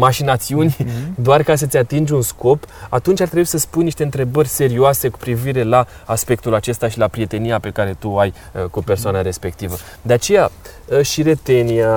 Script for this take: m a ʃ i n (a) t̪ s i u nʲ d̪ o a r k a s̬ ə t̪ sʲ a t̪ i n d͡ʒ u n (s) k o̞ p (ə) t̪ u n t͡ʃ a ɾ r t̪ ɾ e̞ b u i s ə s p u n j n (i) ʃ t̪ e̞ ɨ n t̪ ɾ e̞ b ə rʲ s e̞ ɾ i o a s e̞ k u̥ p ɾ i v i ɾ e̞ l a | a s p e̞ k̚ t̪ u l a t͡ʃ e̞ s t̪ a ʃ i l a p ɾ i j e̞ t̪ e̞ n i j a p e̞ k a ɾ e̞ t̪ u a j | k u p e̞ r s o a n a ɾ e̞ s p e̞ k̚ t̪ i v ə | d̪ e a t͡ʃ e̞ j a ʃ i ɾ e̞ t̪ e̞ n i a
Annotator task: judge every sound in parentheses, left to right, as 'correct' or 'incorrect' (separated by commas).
correct, correct, incorrect, correct